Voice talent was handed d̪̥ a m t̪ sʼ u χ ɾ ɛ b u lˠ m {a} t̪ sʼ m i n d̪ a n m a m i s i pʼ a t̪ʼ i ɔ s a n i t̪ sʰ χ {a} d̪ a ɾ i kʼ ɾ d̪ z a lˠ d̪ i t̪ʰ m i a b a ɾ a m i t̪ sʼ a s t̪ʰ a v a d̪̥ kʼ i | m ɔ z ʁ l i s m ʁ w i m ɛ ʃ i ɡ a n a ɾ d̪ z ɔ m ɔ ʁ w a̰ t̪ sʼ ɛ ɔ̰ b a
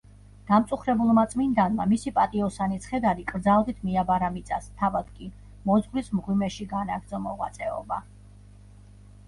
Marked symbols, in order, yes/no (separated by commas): yes, no